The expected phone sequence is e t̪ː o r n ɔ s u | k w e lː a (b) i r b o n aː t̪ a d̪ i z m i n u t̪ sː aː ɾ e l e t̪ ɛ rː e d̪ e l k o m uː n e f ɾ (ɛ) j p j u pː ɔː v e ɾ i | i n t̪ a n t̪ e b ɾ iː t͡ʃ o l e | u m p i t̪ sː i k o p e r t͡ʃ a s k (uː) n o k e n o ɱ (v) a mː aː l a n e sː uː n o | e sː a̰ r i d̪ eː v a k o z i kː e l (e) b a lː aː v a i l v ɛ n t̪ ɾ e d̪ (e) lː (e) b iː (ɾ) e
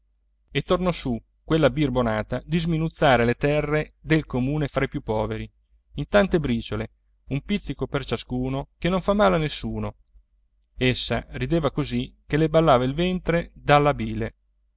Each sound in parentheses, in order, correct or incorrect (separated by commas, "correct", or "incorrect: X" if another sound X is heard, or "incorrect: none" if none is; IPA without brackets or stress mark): correct, incorrect: a, correct, incorrect: f, correct, incorrect: a, incorrect: a, incorrect: l